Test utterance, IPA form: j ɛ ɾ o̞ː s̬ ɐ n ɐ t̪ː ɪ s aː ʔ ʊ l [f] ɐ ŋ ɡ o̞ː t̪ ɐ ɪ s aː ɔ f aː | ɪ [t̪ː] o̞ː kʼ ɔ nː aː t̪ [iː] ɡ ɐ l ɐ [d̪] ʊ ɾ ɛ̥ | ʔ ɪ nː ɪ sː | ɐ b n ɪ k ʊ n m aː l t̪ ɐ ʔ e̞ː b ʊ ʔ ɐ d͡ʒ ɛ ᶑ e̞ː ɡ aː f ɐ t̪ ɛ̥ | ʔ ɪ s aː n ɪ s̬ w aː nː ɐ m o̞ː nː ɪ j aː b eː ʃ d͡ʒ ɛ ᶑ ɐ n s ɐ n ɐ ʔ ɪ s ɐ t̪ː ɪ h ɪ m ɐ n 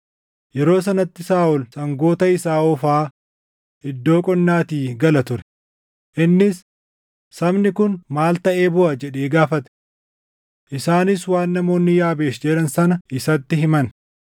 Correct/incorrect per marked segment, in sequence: incorrect: s, incorrect: d̪ː, correct, incorrect: t̪

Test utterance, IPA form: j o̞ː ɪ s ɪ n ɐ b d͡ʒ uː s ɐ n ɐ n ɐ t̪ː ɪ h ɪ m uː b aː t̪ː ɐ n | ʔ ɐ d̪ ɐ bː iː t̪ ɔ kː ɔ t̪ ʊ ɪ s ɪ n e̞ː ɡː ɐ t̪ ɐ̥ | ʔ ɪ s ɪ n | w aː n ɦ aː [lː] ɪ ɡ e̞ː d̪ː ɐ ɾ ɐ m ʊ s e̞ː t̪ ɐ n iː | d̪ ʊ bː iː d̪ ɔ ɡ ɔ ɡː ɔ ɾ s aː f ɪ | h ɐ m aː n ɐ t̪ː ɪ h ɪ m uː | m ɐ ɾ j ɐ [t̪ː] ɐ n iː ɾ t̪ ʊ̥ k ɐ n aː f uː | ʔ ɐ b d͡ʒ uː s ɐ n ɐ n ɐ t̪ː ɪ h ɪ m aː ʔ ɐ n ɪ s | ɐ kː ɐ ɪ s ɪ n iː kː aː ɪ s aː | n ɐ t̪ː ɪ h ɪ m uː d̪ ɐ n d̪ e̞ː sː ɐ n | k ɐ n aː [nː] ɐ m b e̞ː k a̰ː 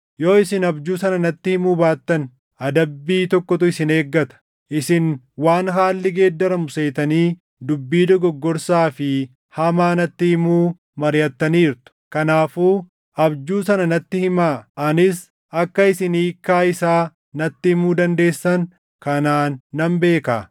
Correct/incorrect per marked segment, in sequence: correct, correct, correct

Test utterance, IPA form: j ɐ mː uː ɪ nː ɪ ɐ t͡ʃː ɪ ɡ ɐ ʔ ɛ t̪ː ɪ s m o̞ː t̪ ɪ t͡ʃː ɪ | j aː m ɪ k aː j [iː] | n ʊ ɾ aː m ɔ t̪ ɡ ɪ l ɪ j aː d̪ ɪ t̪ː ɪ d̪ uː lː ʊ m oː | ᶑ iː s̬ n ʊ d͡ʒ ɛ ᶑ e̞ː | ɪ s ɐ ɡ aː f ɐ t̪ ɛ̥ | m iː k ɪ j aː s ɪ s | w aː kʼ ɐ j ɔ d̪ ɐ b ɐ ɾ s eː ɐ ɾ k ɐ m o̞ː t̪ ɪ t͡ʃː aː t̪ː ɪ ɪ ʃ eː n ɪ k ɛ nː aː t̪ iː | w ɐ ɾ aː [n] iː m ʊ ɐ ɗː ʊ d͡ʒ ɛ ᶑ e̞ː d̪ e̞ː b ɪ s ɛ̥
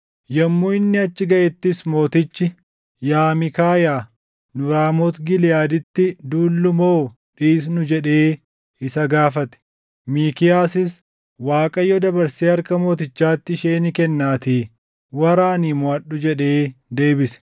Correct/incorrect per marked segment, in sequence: incorrect: aː, correct

